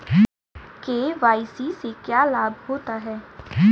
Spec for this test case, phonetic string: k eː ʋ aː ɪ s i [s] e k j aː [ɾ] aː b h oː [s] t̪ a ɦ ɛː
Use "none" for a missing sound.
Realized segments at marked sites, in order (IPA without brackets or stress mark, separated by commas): s, l, none